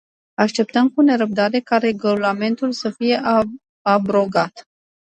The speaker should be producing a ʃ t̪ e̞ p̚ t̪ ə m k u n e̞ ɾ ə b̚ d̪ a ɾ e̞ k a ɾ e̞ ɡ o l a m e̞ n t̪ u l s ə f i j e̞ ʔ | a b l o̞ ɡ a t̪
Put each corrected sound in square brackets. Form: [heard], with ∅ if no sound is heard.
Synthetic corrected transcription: a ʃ t̪ e̞ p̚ t̪ ə m k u n e̞ ɾ ə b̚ d̪ a ɾ e̞ k a ɾ e̞ ɡ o l a m e̞ n t̪ u l s ə f i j e̞ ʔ | a b [ɾ] o̞ ɡ a t̪